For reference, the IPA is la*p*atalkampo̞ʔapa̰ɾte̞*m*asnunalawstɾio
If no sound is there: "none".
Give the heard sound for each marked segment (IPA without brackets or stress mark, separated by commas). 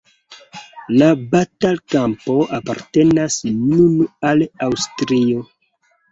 b, n